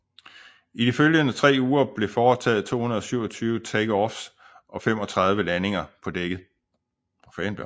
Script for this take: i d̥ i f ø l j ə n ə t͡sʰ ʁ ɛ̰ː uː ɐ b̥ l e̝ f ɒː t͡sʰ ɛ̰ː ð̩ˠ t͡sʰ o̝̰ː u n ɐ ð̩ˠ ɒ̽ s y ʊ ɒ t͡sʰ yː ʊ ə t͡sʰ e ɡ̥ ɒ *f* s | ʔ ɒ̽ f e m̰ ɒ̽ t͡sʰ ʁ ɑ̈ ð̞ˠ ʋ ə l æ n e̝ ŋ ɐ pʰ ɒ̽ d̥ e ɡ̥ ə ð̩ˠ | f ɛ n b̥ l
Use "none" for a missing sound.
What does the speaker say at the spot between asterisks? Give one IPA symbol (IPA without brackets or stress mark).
f